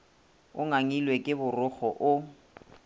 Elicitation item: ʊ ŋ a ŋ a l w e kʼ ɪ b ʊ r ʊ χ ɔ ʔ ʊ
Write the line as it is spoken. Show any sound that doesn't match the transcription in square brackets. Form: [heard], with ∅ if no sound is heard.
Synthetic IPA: ʊ ŋ a ŋ [i] l w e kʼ ɪ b ʊ r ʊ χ ɔ ʔ ʊ